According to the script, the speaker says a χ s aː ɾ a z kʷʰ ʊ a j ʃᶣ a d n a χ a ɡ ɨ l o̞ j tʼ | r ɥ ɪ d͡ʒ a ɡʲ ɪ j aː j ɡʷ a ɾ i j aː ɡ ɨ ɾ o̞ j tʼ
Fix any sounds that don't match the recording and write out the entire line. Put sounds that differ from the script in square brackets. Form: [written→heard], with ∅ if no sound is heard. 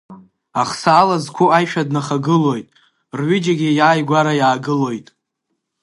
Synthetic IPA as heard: a χ s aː [ɾ→l] a z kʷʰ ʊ a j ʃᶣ a d n a χ a ɡ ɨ l o̞ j tʼ | r ɥ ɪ d͡ʒ a ɡʲ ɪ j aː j ɡʷ a ɾ [i→a] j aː ɡ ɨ [ɾ→l] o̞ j tʼ